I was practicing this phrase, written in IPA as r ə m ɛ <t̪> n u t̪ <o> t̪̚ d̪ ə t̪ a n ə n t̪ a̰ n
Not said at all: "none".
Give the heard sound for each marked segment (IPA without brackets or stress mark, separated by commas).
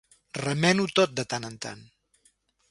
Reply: none, o